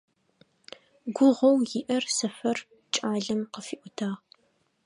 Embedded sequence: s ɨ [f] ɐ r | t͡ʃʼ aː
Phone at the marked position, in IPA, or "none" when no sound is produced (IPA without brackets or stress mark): f